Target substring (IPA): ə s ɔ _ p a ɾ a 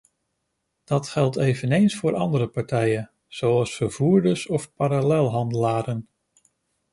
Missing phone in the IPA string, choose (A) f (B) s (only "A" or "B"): A